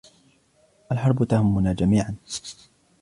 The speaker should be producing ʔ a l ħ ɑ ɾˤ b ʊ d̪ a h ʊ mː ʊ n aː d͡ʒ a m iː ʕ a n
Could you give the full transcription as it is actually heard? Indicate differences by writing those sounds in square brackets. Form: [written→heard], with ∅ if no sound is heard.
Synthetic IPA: ʔ a l ħ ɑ ɾˤ b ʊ [d̪→t̪] a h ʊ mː ʊ n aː d͡ʒ a m iː ʕ a n